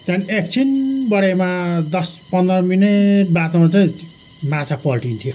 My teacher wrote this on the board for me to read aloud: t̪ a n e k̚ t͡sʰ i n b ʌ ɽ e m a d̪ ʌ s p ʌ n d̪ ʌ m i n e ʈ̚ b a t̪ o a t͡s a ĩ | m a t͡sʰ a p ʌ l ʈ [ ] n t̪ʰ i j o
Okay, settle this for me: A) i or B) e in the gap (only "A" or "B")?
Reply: A